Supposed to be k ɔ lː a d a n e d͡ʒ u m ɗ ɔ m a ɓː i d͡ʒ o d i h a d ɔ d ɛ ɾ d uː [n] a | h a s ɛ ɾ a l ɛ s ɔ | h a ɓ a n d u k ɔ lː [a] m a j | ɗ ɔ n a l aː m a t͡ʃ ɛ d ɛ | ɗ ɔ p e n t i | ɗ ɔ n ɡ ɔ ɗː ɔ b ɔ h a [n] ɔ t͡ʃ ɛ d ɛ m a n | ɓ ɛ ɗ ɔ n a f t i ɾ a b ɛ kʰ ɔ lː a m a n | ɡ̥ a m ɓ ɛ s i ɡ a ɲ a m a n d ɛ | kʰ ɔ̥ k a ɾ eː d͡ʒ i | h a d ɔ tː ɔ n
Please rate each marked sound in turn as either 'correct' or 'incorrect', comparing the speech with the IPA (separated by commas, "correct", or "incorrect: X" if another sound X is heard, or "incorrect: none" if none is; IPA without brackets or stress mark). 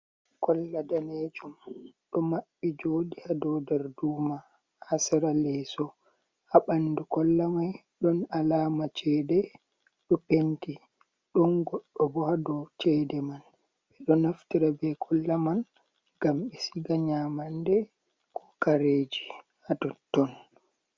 incorrect: m, correct, incorrect: d